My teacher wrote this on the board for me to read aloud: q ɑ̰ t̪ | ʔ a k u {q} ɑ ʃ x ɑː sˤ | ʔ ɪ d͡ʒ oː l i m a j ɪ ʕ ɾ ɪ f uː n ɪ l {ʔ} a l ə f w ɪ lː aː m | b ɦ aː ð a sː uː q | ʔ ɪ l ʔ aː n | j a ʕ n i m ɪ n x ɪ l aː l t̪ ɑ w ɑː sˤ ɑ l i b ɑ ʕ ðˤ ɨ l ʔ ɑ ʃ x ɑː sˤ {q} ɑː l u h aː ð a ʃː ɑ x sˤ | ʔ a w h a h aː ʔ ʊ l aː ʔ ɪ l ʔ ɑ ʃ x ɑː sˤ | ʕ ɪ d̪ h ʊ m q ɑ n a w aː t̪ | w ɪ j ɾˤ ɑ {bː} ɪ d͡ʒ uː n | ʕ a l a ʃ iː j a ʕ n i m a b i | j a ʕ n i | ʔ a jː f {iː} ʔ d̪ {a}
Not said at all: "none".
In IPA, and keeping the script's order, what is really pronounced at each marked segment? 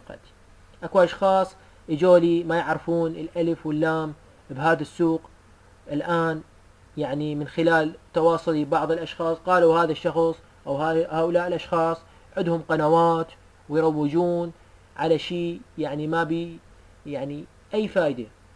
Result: ʔ, ʔ, q, wː, aː, a

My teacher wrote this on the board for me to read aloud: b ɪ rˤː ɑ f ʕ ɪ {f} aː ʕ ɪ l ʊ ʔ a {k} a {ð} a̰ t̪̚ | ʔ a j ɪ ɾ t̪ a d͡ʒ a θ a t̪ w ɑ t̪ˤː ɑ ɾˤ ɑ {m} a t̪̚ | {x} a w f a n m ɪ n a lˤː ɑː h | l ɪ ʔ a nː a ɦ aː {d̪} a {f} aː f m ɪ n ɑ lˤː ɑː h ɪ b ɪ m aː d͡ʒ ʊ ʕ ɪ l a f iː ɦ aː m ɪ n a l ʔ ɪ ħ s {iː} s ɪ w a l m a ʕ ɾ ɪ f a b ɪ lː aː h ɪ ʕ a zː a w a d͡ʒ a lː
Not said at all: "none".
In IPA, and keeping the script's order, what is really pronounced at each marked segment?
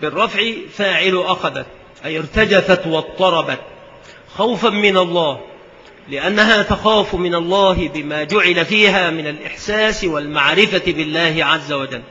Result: f, x, ð, b, x, t̪, x, aː

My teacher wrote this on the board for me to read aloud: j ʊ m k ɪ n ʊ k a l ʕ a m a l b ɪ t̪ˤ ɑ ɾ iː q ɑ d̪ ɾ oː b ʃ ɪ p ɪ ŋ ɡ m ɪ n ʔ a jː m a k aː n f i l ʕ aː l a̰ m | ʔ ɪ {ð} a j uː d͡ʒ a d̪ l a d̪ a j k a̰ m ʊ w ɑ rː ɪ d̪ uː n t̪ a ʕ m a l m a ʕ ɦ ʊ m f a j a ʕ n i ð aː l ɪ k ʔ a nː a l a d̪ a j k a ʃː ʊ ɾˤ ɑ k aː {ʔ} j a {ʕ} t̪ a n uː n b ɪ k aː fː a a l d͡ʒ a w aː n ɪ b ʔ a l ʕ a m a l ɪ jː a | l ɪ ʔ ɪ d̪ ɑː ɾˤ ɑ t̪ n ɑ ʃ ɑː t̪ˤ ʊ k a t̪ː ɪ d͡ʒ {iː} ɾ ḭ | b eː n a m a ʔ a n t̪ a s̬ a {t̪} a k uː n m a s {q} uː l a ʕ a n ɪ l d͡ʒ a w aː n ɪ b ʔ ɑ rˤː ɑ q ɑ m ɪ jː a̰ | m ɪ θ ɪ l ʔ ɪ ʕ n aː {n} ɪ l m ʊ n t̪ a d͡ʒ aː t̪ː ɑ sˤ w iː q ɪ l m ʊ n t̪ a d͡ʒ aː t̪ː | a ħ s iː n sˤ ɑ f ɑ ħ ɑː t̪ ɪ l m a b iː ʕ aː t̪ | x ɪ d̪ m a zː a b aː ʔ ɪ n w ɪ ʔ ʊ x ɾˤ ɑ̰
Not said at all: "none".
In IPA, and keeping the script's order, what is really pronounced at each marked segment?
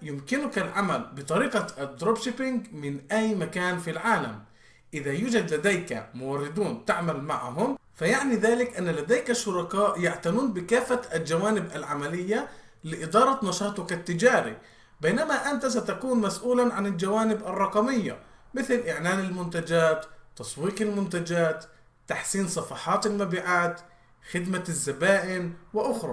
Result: ð, ʔ, ʕ, aː, t̪, ʔ, n

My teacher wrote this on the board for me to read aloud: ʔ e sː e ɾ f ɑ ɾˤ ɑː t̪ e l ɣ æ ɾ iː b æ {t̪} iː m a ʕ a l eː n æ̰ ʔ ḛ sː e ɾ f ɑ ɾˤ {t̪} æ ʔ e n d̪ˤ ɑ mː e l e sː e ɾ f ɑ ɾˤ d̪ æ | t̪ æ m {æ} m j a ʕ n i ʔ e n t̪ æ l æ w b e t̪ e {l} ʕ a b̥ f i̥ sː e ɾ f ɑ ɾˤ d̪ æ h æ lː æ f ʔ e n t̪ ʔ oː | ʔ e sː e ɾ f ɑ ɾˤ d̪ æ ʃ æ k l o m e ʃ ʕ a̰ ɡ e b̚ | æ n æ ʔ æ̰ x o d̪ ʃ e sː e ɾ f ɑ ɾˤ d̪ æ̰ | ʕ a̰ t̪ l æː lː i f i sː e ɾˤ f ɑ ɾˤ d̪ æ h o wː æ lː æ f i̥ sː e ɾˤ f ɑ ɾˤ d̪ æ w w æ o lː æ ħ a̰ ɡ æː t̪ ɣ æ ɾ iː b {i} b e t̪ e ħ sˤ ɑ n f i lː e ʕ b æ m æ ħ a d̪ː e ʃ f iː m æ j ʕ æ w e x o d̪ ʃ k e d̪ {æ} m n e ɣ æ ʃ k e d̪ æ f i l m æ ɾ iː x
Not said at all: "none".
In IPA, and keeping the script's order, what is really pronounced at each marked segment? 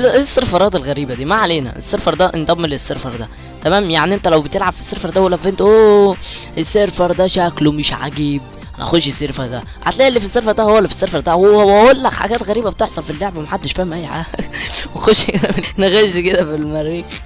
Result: d̪, d̪, æː, l, æ, æ

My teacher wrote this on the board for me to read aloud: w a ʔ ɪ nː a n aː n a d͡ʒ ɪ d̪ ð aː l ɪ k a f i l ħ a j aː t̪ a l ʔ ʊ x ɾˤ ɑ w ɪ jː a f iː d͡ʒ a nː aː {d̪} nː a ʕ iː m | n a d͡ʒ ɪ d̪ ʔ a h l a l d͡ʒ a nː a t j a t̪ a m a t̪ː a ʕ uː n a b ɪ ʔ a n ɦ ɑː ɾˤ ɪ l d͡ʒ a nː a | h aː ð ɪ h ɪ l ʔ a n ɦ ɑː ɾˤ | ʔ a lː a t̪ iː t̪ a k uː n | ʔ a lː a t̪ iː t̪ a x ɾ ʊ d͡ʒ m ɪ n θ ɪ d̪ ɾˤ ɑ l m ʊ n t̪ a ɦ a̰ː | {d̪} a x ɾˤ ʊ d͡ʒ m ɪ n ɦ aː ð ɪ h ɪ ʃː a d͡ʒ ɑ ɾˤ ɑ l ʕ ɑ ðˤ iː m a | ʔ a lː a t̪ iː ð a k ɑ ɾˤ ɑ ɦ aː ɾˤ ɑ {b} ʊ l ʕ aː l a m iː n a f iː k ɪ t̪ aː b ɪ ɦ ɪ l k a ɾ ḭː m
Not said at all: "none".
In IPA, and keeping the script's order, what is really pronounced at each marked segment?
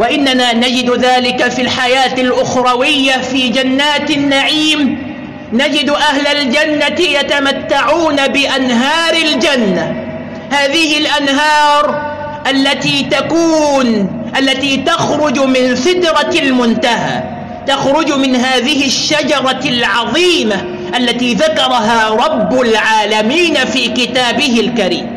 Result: t̪, t̪, bː

